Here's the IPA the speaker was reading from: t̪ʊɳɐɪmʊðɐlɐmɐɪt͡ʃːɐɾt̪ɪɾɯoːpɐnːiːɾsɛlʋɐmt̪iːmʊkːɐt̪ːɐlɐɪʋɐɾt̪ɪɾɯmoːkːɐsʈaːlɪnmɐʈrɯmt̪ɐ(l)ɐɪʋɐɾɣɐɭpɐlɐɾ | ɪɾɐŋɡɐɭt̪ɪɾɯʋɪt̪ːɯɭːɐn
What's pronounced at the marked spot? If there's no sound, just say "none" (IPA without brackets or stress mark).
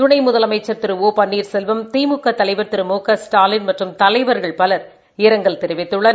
l